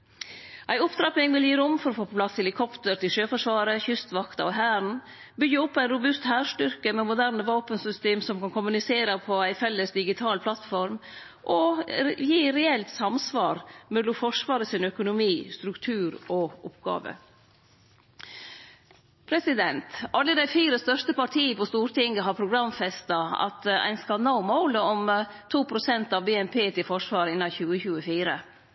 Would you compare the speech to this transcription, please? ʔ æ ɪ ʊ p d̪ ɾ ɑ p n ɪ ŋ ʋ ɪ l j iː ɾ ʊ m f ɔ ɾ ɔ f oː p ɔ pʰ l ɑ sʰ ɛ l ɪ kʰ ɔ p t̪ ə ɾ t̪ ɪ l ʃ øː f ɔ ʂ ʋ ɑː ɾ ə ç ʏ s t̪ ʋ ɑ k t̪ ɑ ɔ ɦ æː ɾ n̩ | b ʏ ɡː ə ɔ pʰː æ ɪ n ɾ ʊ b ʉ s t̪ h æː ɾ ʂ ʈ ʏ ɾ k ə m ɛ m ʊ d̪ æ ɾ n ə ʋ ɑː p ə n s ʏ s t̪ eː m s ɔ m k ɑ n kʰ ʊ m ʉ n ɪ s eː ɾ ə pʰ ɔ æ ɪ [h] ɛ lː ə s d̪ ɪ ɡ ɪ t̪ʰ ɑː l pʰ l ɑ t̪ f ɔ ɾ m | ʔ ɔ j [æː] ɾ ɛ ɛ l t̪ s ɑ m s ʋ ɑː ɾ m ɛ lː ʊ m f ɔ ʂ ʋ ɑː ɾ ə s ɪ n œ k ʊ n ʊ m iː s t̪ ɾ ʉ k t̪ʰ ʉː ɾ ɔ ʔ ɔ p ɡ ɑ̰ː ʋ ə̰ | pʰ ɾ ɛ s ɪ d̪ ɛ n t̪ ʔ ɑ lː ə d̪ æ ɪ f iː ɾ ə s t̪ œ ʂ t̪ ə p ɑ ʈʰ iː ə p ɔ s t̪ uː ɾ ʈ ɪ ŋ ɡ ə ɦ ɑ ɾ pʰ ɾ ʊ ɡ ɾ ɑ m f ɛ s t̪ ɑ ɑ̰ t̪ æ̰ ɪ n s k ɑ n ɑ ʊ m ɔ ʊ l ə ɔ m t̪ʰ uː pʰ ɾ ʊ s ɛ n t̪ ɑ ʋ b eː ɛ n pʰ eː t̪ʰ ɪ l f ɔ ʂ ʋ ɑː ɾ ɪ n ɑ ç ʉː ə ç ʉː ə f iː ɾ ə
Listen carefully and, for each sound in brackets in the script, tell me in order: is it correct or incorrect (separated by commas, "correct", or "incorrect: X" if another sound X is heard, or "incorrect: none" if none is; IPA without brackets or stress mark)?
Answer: incorrect: f, incorrect: iː